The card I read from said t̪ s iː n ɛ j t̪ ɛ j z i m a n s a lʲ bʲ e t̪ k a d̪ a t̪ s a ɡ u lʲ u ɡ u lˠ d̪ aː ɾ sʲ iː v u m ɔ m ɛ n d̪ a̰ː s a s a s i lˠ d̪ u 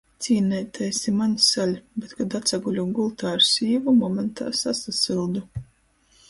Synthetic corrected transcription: t̪ s iː n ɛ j t̪ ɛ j s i m a n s a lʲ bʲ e t̪ k a d̪ a t̪ s a ɡ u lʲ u ɡ u lˠ t̪ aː ɾ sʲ iː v u m ɔ m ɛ n t̪ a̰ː s a s a s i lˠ d̪ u